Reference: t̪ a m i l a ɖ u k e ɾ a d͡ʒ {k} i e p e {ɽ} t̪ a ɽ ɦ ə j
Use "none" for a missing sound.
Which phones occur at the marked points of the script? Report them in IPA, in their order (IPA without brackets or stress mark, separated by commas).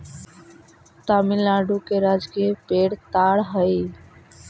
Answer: k, ɽ